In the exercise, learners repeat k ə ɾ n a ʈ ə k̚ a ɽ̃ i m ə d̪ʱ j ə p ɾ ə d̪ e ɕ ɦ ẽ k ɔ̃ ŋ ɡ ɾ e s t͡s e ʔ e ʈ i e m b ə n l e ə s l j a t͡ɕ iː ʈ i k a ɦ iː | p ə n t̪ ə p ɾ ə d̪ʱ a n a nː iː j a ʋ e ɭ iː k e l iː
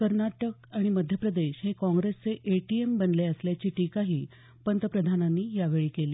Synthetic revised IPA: k ə ɾ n a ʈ ə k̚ a ɽ̃ i m ə d̪ʱ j ə p ɾ ə d̪ e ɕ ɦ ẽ k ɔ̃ ŋ ɡ ɾ e s t͡s e ʔ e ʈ i e m b ə n l e ə s l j a t͡ɕ iː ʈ i k a ɦ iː | p ə n t̪ ə p ɾ ə d̪ʱ a n a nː iː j a ʋ e ɭ iː k e l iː